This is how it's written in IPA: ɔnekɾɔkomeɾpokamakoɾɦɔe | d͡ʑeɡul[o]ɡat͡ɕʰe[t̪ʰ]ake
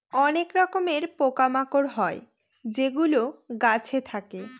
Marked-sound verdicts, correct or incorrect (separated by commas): correct, correct